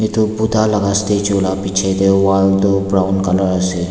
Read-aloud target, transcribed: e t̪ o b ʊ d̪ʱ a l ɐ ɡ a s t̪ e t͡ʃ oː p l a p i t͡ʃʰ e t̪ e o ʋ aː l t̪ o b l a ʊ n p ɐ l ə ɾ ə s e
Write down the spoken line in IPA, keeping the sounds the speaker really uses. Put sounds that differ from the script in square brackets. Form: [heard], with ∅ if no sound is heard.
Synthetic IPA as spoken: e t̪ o b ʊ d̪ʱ a l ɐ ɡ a s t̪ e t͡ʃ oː [∅] l a p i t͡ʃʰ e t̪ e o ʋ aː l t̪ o b [ɾ] a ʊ n [k] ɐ l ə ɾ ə s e